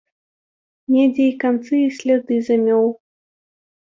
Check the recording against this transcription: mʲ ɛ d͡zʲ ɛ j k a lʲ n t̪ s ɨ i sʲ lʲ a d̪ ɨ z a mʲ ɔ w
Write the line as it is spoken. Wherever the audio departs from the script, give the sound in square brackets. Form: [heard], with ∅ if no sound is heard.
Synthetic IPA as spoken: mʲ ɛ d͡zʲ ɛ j k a [∅] n t̪ s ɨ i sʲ lʲ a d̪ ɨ z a mʲ ɔ w